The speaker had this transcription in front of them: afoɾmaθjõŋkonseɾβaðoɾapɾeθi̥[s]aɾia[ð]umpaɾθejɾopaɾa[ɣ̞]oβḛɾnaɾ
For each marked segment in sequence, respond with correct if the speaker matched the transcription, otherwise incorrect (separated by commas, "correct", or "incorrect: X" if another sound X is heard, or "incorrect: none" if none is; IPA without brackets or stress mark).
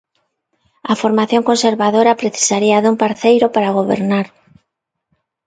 correct, correct, correct